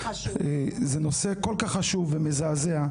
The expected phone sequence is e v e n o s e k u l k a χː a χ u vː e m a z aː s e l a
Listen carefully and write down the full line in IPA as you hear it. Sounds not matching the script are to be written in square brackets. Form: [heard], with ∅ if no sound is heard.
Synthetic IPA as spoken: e [z] e n o s e k [o] l k a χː a [ʃ] u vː e m [e] z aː [z] e [∅] a